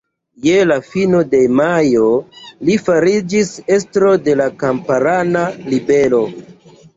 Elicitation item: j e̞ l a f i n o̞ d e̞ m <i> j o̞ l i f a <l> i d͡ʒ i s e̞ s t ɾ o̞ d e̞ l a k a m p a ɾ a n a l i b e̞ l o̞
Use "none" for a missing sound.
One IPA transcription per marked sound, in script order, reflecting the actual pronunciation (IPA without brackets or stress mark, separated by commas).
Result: a, ɾ